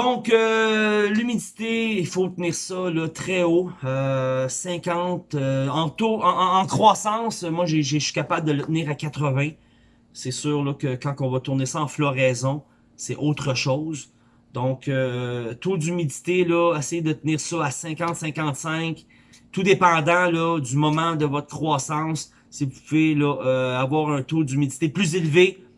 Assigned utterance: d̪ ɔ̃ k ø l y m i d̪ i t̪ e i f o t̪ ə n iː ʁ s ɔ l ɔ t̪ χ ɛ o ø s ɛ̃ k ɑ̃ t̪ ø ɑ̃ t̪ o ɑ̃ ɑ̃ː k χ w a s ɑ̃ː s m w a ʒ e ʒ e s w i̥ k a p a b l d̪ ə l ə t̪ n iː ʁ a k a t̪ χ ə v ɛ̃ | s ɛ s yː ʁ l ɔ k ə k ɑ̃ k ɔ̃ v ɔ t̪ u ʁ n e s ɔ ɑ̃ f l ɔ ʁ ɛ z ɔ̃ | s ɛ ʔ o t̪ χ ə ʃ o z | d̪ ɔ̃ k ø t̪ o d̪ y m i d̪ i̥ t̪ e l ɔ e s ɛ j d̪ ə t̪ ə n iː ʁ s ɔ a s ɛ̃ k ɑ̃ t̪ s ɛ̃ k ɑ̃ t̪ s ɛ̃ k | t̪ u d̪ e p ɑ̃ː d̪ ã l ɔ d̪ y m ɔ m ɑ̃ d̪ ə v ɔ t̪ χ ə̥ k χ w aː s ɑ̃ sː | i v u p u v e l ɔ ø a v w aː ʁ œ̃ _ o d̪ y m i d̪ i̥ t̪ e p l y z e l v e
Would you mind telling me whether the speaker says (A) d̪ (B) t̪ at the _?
B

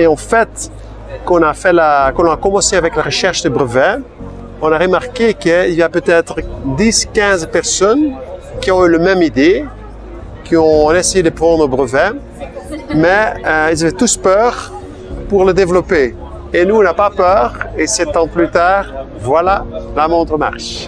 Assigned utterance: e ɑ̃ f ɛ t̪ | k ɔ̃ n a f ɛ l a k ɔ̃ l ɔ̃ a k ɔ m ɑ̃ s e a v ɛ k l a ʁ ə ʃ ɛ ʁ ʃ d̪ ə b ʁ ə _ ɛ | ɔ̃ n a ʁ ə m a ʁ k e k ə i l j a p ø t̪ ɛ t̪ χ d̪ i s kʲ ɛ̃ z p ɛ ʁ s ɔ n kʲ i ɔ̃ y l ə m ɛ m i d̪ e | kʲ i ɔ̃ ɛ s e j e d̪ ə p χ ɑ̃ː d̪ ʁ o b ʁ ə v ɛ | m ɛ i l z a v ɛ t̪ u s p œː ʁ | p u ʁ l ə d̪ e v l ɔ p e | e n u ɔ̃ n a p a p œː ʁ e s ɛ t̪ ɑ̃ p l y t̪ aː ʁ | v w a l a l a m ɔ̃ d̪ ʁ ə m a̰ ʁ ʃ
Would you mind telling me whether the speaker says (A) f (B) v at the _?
B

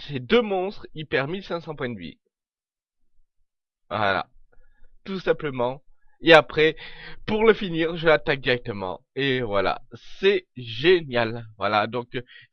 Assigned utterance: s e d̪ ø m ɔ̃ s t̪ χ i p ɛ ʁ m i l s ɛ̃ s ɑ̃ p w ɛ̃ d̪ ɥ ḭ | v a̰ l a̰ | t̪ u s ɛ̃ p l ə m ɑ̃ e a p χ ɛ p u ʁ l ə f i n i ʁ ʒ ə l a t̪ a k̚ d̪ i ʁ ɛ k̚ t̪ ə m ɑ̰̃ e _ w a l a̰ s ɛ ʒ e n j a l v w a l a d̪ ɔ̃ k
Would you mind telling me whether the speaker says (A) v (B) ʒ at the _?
A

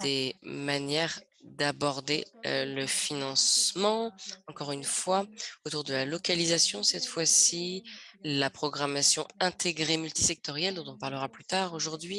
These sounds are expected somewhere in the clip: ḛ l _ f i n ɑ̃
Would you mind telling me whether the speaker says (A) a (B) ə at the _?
B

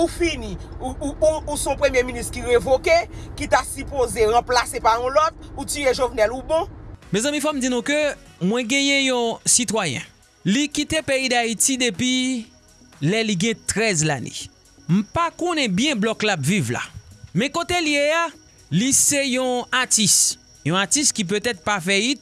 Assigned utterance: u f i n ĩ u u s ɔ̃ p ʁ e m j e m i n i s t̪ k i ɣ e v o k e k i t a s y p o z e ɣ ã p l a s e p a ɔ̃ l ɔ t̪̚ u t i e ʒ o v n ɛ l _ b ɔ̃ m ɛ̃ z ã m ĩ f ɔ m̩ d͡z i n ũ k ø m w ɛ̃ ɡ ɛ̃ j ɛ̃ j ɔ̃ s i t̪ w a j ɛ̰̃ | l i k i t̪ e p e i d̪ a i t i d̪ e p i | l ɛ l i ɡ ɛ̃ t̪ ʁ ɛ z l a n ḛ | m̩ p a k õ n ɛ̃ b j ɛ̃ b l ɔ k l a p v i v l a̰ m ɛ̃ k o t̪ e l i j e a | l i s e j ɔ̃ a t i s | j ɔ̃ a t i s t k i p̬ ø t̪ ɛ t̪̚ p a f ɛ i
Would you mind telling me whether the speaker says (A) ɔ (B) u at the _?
B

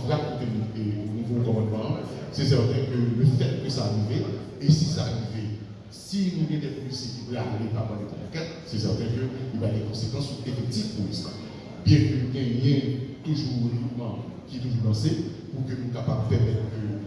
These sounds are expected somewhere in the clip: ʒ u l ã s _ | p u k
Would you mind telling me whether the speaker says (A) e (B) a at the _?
A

